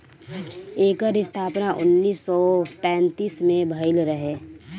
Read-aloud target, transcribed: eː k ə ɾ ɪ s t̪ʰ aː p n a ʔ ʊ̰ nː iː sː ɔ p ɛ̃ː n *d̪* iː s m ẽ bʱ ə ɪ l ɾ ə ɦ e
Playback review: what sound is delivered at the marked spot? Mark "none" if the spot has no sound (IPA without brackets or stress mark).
t̪